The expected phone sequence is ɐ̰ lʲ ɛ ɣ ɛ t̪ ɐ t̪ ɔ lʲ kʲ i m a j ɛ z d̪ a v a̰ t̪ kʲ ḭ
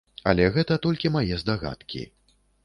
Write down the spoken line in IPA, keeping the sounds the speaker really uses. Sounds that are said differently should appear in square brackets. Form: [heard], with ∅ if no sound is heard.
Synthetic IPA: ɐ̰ lʲ ɛ ɣ ɛ t̪ ɐ t̪ ɔ lʲ kʲ i m a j ɛ z d̪ a [ɣ] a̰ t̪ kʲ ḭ